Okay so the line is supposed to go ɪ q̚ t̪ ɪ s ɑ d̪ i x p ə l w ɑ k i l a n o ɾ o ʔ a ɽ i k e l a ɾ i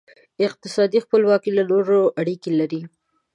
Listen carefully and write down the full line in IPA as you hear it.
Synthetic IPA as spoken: ɪ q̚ t̪ ɪ s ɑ d̪ i x p ə l w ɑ k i l a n o ɾ o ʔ a ɽ i k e l a ɾ i